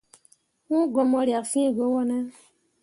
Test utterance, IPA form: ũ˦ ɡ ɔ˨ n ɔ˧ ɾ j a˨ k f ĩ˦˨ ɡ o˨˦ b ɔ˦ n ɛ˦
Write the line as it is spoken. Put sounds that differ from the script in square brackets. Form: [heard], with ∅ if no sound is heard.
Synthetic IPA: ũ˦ ɡ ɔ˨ [m] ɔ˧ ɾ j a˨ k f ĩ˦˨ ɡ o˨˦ [w] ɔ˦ n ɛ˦